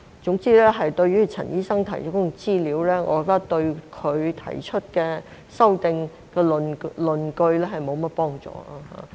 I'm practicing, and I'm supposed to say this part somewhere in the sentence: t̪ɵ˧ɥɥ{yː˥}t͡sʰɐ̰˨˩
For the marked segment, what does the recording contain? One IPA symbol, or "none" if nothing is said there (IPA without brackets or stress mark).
yː˥